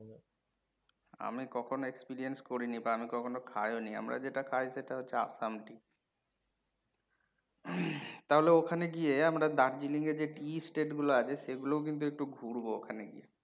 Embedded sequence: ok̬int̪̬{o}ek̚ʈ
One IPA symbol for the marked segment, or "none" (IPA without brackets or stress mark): u